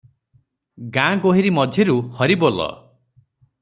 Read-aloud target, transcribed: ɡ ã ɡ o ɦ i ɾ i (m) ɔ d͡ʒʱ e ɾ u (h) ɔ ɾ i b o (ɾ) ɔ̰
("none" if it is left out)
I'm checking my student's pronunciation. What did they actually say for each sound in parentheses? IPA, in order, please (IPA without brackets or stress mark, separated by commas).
m, h, l